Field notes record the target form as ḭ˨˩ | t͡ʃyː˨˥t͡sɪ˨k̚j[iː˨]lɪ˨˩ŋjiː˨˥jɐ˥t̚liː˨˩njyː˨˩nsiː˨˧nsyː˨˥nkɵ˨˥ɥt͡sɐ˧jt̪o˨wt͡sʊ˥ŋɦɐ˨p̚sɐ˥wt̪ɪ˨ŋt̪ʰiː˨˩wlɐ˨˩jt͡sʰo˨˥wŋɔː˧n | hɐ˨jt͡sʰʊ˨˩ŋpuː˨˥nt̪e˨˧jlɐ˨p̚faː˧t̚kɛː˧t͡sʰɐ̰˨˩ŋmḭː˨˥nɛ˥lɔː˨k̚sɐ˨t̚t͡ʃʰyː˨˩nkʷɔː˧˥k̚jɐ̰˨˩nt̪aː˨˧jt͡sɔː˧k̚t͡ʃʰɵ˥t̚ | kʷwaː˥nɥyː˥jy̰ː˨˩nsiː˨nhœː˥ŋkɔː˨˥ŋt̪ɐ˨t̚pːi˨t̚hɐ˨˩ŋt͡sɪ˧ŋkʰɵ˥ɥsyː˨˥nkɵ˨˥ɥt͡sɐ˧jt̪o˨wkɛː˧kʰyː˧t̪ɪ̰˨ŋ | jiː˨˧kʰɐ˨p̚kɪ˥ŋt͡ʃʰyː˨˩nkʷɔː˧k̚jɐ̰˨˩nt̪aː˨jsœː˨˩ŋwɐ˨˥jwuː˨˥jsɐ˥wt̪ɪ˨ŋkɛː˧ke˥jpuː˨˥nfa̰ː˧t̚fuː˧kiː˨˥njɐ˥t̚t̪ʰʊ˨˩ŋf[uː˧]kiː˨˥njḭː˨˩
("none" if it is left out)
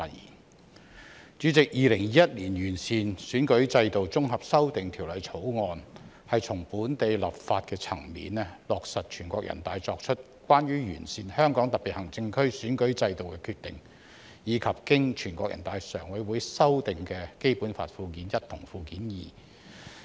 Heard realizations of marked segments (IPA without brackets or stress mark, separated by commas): iː˨, uː˧